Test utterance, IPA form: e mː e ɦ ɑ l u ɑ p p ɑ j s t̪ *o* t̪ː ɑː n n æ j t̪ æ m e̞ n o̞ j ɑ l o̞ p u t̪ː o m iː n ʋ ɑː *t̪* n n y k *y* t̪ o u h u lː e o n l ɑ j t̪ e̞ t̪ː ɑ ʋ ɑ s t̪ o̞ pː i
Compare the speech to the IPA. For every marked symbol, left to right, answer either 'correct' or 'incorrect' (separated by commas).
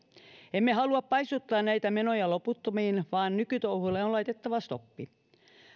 incorrect, incorrect, correct